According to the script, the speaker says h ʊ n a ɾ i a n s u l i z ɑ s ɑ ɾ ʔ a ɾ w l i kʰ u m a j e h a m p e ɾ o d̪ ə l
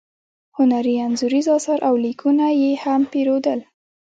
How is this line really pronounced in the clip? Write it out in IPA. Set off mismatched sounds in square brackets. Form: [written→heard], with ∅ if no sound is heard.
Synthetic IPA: h ʊ n a ɾ i a n [s→z] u [l→ɾ] i z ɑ s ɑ ɾ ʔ a [ɾ→∅] w l i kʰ u [m→n] a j e h a m p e ɾ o d̪ ə l